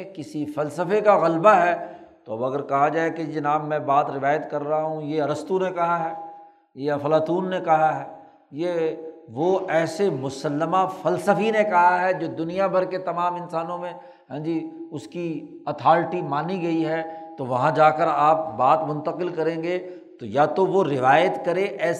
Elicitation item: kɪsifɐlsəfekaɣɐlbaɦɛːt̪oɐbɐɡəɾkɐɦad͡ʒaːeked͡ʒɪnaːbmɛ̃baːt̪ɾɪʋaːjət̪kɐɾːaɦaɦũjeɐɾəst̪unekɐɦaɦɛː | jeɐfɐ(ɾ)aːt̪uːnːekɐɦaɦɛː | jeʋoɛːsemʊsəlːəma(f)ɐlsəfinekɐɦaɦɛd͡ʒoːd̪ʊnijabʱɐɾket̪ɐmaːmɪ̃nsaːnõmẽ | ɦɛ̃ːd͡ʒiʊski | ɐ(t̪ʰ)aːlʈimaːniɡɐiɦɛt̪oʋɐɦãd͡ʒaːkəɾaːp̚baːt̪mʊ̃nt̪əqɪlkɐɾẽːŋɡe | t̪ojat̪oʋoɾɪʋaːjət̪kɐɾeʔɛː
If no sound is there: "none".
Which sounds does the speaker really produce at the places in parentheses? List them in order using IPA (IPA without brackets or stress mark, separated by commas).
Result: l, f, t̪ʰ